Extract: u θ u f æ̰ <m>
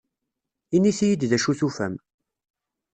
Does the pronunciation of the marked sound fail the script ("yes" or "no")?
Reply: no